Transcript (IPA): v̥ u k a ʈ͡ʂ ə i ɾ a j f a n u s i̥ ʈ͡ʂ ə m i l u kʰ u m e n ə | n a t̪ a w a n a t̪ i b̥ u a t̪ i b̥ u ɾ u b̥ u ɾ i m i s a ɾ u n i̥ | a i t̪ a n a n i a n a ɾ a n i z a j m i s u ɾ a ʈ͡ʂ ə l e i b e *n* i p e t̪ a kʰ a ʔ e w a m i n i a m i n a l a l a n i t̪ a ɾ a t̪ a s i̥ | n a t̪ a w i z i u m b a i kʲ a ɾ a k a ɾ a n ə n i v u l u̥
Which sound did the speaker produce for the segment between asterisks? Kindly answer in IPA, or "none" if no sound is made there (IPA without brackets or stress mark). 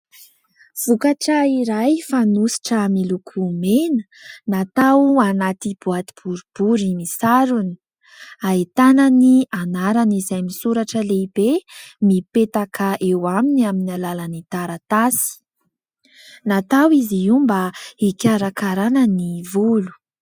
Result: m